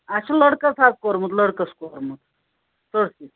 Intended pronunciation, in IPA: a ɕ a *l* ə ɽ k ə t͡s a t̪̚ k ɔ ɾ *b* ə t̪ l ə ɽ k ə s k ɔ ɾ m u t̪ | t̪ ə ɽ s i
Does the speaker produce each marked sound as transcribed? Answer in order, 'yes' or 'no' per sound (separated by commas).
yes, no